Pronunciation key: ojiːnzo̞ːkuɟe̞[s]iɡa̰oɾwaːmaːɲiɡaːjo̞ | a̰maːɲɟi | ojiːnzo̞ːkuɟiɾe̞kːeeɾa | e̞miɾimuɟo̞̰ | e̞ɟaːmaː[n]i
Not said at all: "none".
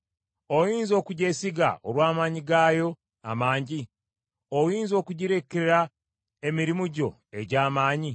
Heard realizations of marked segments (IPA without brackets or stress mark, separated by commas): s, ɲ